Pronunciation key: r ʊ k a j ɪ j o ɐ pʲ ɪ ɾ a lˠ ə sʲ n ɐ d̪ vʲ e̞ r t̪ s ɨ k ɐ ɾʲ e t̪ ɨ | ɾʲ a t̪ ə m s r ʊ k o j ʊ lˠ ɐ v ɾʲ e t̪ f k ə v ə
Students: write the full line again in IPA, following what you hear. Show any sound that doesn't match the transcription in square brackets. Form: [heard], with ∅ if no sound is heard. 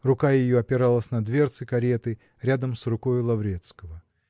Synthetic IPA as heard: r ʊ k a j ɪ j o ɐ pʲ ɪ ɾ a lˠ ə sʲ n ɐ d̪ vʲ e̞ r t̪ s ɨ k ɐ ɾʲ e t̪ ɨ | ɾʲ a [d̪] ə m s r ʊ k o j ʊ lˠ ɐ v ɾʲ e t̪ [s] k ə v ə